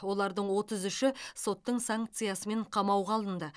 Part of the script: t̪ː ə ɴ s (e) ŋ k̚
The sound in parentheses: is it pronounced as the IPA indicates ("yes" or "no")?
no